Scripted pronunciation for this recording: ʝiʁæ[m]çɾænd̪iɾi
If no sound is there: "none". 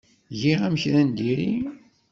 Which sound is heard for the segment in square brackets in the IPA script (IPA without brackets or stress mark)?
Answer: m